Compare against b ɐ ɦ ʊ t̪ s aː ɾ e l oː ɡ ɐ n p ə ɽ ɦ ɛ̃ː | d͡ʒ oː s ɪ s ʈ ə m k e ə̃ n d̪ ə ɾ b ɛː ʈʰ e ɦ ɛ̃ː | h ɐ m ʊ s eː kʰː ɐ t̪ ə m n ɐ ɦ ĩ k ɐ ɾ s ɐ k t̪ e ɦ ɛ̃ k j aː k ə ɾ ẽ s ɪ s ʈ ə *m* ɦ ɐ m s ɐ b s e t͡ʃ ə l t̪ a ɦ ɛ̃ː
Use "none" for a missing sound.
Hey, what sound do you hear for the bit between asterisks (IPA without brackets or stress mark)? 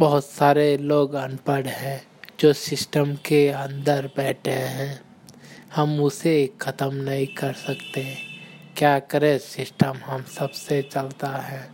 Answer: m